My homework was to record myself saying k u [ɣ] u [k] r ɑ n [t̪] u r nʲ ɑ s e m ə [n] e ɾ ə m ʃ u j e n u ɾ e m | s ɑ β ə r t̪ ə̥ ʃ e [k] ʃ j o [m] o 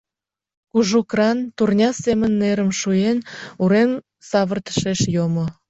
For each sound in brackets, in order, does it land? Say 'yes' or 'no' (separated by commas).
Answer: no, yes, yes, no, no, yes